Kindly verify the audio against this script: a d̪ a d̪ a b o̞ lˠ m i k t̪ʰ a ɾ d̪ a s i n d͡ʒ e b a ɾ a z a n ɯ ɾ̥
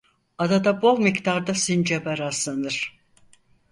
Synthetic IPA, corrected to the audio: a d̪ a d̪ a b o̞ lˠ m i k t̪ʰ a ɾ d̪ a s i n d͡ʒ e b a ɾ a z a n ɯ ɾ̥